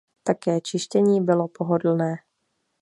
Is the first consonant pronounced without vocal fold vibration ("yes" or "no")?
yes